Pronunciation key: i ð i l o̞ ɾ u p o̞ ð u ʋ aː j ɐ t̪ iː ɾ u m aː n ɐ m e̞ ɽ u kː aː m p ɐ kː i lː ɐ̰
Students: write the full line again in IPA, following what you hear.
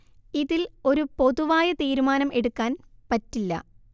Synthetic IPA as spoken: i ð i l o̞ ɾ u p o̞ ð u ʋ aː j ɐ t̪ iː ɾ u m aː n ɐ m e̞ ɽ u kː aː n p ɐ tː i lː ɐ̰